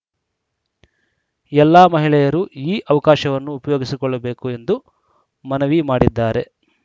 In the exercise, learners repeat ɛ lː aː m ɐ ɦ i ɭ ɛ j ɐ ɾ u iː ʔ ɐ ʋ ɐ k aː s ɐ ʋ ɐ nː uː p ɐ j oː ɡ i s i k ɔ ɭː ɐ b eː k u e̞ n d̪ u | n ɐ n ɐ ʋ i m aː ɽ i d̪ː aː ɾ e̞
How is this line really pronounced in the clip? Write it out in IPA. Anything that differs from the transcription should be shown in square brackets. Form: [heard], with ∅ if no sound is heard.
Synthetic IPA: ɛ lː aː m ɐ ɦ i ɭ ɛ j ɐ ɾ u iː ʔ ɐ ʋ ɐ k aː [ʃ] ɐ ʋ ɐ nː uː p ɐ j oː ɡ i s i k ɔ ɭː ɐ b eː k u e̞ n d̪ u | [m] ɐ n ɐ ʋ i m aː ɽ i d̪ː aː ɾ e̞